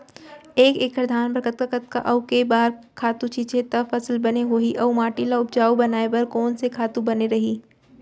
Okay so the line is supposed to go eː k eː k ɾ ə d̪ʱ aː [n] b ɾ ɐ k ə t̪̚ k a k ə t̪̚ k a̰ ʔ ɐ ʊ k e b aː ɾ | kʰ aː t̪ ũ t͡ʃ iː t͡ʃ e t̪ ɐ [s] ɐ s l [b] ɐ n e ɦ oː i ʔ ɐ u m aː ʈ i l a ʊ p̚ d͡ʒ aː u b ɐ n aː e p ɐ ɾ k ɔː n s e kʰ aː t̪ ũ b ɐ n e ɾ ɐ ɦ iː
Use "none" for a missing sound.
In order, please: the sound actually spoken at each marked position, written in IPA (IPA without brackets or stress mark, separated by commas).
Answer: n, f, b